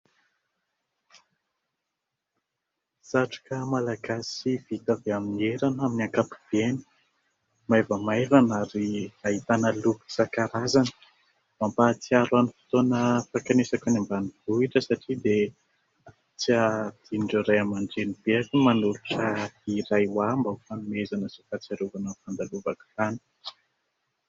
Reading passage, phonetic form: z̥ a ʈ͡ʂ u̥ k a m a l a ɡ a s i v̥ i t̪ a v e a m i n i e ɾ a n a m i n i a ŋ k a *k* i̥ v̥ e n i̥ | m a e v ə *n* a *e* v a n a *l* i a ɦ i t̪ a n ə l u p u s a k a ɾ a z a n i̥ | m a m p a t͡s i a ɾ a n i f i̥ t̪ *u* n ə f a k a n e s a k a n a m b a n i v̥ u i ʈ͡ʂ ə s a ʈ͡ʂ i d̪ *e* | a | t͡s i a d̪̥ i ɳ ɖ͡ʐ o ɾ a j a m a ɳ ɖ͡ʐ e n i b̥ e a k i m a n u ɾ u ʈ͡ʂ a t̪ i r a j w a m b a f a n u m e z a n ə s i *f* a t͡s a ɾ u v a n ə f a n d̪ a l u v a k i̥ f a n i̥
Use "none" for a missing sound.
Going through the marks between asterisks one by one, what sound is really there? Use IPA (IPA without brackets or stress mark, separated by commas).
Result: p, m, e, ɾ, o, e, f